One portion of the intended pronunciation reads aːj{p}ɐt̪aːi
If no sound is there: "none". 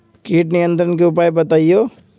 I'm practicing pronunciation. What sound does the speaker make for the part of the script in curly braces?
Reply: b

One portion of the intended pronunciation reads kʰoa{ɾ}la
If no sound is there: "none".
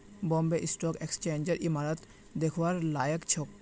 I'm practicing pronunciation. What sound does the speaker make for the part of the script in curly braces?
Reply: ɾ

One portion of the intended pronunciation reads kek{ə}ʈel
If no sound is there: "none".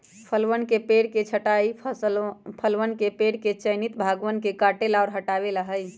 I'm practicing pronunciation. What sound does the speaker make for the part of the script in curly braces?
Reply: a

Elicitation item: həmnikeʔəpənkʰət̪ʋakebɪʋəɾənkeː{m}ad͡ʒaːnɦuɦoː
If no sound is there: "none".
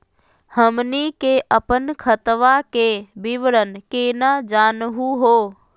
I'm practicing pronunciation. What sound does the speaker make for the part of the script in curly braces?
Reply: n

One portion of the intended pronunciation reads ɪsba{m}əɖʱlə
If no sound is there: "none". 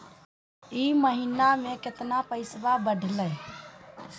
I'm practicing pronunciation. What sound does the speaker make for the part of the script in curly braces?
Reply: b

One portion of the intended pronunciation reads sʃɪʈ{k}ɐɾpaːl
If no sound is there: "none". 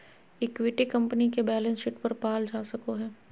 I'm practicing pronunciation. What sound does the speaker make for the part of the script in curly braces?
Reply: p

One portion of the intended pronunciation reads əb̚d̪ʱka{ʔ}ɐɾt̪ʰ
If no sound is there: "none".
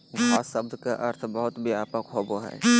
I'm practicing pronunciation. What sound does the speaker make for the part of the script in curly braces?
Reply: ʔ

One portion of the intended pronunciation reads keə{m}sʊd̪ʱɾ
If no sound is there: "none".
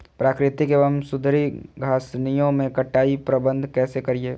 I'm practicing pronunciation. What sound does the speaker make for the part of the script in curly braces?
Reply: m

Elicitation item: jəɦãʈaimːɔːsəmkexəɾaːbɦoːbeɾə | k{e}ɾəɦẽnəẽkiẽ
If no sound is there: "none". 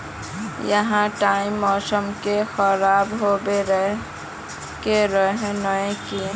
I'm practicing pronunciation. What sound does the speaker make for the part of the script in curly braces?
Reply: e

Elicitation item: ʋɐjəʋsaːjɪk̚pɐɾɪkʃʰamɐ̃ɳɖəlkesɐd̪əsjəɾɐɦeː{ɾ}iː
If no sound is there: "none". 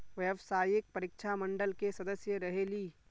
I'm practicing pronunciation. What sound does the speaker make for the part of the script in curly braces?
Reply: l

